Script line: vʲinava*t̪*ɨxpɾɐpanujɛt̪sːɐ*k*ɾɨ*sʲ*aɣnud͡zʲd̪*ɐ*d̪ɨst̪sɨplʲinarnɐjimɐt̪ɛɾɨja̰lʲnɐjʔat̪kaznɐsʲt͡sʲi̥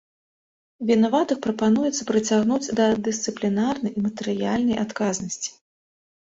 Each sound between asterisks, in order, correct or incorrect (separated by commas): correct, incorrect, incorrect, correct